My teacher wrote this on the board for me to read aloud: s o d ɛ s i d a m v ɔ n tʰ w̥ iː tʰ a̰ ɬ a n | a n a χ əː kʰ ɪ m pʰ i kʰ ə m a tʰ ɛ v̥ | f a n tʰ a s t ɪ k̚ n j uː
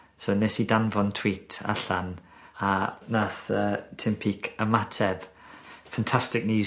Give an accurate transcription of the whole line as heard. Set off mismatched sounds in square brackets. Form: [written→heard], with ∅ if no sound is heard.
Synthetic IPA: s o [d→n] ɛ s i d a [m→n] v ɔ n tʰ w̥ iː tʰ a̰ ɬ a n | a n a [χ→θ] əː [kʰ→tʰ] ɪ m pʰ i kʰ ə m a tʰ ɛ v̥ | f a n tʰ a s t ɪ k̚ n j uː